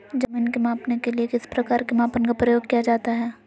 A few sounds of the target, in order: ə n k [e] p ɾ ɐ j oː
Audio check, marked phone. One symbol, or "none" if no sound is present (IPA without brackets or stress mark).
a